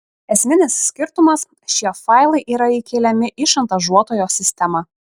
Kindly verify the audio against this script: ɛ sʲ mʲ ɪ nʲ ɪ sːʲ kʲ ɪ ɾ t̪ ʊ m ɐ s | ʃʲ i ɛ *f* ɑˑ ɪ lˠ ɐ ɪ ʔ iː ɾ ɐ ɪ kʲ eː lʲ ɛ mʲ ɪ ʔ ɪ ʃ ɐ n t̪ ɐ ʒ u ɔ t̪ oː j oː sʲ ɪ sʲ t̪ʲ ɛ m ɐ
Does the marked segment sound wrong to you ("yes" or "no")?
no